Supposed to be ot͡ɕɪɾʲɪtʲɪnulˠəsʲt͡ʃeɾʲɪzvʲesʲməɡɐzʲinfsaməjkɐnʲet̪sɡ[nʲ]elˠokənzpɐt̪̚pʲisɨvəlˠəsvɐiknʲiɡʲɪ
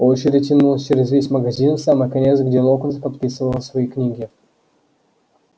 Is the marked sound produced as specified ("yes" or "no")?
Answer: no